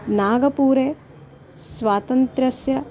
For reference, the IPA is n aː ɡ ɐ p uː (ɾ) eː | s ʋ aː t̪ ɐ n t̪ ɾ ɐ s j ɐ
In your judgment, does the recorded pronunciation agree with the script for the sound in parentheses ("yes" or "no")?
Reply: yes